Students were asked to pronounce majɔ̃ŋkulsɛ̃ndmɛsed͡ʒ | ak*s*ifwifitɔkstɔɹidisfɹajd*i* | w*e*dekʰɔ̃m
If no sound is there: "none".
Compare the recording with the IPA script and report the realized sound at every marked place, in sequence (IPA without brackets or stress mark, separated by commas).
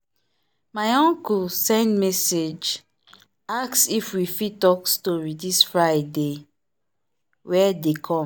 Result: s, e, ɛ